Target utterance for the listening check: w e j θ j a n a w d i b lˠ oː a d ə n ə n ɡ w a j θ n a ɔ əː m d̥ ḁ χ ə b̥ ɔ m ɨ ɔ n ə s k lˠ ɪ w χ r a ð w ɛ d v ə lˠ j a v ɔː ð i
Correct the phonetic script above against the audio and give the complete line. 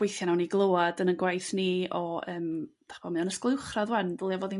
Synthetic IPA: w e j θ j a n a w n i ɡ lˠ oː a d ə n ə n ɡ w a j θ n i ɔ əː m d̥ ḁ χ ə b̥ ɔ m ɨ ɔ n ə s k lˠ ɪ w χ r a ð w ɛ n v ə lˠ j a v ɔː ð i